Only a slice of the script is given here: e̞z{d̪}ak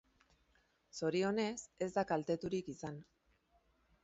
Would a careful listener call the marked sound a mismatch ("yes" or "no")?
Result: no